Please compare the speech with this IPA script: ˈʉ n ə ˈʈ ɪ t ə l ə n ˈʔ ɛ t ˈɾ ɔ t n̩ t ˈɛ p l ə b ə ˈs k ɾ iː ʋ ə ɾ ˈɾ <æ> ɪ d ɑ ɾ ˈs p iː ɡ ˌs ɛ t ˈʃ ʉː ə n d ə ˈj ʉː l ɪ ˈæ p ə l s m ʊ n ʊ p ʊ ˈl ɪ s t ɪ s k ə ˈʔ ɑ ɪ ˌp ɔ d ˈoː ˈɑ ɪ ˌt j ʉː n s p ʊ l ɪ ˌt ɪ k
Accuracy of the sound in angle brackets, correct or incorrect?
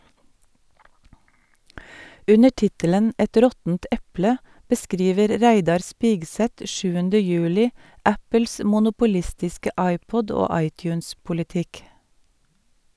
correct